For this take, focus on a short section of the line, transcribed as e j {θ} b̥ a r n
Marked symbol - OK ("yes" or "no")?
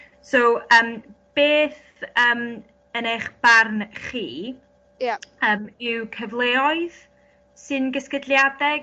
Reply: no